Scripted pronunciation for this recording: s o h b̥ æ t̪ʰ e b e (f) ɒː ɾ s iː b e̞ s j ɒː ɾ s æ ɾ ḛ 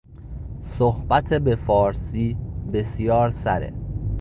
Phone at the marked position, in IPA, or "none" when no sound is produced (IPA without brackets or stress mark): f